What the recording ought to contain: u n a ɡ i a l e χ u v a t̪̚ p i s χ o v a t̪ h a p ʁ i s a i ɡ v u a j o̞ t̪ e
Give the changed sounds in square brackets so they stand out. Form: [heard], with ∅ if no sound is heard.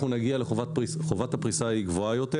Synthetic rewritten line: u n a ɡ i a l e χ [o] v a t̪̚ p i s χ o v a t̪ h a p ʁ i s a i ɡ v [o] a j o̞ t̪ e